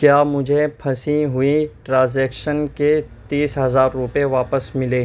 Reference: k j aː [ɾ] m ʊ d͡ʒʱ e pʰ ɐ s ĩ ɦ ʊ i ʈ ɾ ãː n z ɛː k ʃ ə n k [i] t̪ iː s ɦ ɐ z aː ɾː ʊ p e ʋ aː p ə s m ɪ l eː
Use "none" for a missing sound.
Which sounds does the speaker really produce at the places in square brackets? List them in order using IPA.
none, e

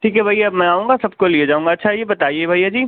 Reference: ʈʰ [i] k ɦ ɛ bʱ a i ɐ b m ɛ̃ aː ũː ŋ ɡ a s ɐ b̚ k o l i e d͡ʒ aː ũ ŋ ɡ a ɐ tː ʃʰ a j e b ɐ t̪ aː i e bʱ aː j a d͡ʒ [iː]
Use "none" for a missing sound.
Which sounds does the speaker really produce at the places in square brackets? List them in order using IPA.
iː, iː

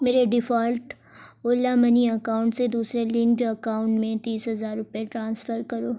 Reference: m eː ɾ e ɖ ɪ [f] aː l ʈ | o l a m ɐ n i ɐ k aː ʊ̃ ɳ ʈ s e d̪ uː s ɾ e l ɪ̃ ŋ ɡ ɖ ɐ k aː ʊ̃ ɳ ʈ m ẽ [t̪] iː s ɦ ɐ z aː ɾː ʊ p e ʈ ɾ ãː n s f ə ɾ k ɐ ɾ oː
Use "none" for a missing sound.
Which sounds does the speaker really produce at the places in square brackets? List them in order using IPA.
f, t̪

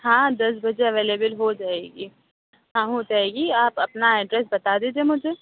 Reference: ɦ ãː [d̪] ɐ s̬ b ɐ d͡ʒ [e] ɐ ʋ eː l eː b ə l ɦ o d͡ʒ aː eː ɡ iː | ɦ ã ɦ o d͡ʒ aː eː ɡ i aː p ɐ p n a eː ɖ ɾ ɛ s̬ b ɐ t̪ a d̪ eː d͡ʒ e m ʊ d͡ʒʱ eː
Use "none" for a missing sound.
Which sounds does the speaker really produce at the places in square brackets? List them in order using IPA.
d̪, e

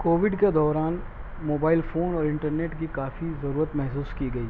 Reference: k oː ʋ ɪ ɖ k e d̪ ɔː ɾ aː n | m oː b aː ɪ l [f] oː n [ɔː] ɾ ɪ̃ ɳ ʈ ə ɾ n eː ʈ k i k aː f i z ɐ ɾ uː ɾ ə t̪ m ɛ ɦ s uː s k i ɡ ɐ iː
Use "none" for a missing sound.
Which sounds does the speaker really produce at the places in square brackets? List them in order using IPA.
f, ɔː

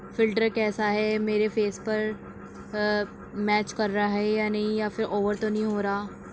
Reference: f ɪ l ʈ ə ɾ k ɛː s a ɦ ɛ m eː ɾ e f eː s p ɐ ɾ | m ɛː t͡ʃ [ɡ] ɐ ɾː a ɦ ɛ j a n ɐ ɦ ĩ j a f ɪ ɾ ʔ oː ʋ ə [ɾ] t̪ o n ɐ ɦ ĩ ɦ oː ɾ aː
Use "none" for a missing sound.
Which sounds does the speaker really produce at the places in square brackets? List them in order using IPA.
k, ɾ

